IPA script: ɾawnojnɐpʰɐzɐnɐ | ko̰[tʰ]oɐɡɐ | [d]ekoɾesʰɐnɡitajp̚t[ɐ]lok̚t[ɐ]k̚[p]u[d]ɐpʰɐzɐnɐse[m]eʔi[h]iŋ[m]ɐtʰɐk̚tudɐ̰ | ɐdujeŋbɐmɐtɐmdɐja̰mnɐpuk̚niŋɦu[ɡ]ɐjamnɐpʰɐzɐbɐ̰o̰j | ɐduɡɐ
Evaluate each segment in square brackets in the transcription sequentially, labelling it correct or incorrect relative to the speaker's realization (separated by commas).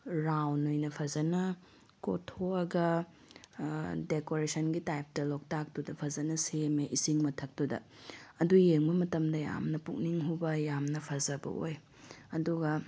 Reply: correct, correct, correct, incorrect, incorrect, correct, correct, incorrect, correct, incorrect